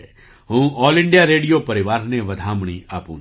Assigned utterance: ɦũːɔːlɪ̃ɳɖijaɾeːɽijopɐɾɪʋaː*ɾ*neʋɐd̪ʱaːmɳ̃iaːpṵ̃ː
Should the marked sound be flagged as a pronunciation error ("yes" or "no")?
no